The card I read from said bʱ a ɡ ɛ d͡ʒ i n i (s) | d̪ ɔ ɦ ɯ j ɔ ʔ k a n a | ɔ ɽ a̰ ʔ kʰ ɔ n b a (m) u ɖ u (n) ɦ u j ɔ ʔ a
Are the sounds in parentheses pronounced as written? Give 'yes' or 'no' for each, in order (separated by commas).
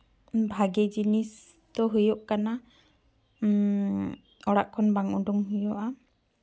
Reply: yes, no, no